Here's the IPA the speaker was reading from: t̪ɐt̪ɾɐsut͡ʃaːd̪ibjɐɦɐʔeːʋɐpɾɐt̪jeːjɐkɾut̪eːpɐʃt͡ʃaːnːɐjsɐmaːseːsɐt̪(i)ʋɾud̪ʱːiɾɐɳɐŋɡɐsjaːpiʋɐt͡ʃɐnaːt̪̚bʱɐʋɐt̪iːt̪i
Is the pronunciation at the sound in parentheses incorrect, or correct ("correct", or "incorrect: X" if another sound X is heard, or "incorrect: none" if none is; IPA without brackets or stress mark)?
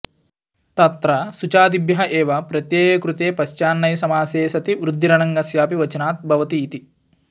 correct